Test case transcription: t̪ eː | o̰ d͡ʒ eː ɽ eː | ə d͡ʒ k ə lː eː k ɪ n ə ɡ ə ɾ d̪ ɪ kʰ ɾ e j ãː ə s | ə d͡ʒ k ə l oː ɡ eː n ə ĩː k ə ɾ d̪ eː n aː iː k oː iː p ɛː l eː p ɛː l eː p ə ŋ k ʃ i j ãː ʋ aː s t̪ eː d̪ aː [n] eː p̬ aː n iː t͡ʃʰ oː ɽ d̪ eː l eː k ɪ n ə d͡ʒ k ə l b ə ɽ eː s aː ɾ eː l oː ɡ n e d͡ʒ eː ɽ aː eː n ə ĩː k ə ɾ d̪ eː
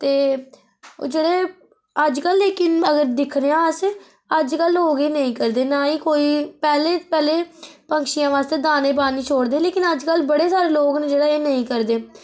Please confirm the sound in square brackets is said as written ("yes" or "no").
yes